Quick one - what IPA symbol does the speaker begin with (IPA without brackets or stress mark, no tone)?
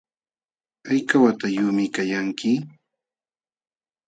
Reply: a